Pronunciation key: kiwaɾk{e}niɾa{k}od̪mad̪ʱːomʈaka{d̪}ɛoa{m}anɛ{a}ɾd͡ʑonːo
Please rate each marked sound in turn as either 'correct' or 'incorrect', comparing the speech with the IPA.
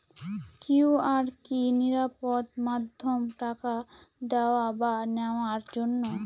incorrect: i, incorrect: p, correct, incorrect: b, correct

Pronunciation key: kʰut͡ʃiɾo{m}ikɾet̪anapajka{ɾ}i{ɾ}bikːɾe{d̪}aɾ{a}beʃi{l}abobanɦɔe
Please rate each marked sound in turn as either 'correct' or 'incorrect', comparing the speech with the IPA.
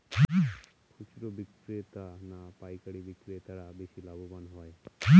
incorrect: b, incorrect: ɽ, incorrect: none, incorrect: t̪, correct, correct

